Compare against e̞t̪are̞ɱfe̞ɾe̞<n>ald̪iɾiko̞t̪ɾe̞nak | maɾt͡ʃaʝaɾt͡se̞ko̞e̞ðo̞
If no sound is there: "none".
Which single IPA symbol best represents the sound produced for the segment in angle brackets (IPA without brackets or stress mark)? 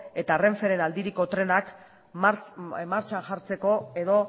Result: n